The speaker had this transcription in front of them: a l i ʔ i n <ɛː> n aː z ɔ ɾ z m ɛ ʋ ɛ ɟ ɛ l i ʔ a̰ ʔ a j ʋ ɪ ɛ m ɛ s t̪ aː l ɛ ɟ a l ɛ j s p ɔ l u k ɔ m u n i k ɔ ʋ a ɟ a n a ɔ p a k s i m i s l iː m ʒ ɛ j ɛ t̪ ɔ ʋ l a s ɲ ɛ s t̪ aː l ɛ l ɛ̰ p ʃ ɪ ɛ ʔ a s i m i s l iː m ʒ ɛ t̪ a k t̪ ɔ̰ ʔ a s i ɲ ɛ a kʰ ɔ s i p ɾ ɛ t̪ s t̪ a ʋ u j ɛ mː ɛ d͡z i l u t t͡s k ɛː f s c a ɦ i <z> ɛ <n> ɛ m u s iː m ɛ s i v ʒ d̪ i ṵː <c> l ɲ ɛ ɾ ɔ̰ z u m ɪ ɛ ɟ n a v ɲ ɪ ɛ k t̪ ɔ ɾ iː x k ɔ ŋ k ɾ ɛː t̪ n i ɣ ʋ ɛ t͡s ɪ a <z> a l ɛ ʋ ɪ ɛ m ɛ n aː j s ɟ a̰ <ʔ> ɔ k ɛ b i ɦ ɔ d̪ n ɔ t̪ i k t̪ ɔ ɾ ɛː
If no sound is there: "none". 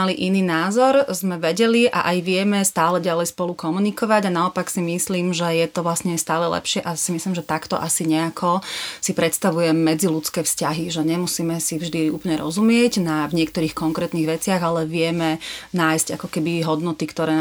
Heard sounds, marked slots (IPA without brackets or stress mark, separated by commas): iː, ʒ, ɲ, p, ɣ, k